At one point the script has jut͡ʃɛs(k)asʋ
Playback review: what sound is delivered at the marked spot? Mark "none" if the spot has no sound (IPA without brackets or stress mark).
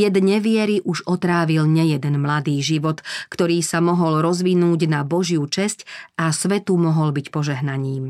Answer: c